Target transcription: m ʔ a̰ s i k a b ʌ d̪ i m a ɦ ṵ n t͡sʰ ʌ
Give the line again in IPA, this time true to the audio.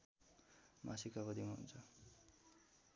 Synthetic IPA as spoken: m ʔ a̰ s i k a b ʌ d̪ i m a ɦ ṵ n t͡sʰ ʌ